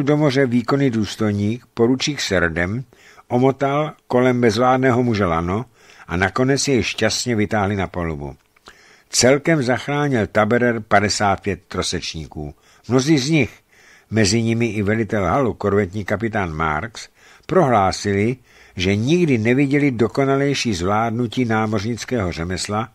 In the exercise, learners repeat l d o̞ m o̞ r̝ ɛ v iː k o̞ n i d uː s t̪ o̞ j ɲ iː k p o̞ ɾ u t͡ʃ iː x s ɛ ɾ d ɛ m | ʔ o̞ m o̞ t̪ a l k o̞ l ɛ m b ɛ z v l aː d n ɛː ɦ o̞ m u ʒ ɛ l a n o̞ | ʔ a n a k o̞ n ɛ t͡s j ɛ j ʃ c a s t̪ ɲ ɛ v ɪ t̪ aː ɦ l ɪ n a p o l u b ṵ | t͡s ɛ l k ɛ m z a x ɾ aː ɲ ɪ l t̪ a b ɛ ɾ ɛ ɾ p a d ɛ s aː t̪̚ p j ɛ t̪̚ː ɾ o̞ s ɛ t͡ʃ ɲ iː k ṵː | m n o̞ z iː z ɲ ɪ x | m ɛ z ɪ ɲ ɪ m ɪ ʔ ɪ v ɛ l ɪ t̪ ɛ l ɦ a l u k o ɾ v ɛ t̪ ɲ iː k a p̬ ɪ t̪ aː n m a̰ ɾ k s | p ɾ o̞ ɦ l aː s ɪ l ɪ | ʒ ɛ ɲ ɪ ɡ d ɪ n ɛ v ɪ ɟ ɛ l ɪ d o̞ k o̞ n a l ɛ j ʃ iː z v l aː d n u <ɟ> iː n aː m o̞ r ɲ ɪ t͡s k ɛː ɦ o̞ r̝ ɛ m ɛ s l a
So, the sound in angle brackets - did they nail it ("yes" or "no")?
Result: no